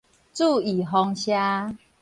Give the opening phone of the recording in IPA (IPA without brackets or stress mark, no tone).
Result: t͡s